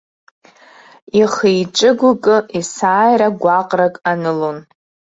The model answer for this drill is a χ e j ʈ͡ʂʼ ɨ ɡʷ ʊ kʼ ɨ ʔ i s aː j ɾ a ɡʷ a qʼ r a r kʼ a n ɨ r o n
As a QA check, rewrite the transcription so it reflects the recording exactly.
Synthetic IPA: i χ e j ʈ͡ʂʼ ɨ ɡʷ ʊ kʼ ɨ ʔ i s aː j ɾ a ɡʷ a qʼ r a kʼ a n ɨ l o n